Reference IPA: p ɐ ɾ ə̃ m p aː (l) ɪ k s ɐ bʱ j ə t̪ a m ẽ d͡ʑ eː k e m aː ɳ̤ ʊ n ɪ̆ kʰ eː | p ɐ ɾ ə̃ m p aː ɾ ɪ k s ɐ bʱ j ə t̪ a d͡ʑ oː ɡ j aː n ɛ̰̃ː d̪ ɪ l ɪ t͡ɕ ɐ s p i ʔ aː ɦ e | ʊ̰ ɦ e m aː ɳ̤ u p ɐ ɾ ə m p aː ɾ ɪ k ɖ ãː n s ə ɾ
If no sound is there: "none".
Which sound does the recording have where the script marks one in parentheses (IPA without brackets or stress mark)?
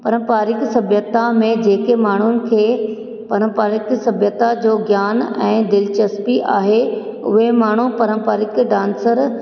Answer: ɾ